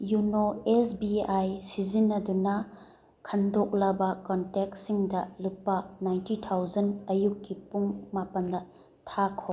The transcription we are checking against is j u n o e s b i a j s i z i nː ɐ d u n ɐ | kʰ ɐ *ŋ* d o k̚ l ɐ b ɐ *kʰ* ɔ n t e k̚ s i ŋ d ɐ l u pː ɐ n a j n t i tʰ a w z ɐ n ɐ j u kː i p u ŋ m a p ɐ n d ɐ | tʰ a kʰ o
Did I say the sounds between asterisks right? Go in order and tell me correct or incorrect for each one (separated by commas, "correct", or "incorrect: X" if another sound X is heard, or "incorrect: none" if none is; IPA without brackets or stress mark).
incorrect: n, incorrect: k